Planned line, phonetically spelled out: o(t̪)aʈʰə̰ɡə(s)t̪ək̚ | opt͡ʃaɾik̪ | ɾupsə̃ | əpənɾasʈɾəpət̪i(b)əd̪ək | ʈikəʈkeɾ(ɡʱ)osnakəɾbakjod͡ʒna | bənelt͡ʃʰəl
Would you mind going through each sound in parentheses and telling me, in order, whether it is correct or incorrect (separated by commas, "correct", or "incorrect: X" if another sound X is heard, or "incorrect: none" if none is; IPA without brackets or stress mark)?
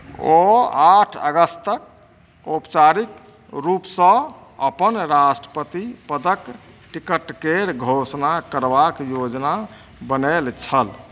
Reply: incorrect: none, correct, incorrect: p, correct